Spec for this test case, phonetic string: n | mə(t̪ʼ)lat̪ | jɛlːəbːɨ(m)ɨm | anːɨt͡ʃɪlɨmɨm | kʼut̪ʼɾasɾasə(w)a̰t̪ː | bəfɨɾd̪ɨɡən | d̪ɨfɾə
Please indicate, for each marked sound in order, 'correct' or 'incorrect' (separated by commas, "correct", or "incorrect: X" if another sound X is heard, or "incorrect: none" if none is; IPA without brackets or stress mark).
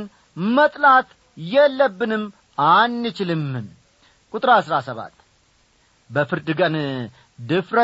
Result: correct, incorrect: n, incorrect: β